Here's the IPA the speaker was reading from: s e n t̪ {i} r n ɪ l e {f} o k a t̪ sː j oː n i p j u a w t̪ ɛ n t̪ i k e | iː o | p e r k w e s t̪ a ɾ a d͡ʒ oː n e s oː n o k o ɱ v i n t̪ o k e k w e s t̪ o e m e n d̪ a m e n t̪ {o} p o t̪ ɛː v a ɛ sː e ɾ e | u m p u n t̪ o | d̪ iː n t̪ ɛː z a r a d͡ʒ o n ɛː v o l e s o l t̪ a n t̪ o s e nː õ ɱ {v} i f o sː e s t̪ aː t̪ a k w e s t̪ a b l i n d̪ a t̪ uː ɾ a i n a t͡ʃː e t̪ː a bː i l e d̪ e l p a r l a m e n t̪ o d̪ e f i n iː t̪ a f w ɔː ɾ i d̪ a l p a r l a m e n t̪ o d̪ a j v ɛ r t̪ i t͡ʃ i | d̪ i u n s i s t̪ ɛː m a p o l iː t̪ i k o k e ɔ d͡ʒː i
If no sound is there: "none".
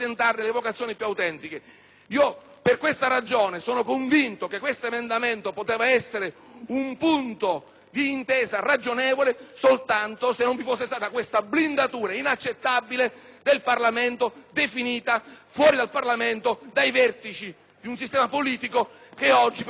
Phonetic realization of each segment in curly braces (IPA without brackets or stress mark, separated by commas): a, v, o, v